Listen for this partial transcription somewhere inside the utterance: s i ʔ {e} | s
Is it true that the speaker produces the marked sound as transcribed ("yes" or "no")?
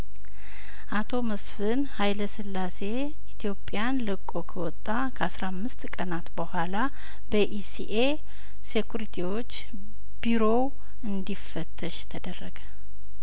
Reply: yes